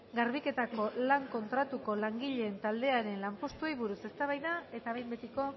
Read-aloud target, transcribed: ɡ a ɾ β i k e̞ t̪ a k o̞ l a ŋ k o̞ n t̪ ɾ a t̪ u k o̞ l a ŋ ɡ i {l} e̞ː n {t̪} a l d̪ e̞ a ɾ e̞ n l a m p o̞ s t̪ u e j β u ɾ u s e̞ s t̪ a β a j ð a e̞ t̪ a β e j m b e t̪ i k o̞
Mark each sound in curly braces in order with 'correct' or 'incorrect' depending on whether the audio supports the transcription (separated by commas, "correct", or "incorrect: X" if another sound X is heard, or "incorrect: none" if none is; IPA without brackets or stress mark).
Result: incorrect: ʎ, correct